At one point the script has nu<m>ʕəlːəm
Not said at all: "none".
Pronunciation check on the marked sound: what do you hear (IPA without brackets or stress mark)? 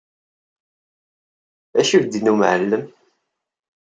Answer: m